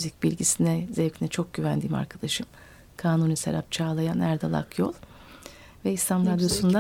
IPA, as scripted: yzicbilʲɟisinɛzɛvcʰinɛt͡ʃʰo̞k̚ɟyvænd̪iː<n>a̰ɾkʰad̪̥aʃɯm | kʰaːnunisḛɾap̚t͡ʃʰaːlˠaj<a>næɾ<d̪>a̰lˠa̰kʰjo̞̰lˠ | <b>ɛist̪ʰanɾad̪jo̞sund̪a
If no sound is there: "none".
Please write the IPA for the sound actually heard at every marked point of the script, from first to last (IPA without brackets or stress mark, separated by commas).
m, a, d̪, v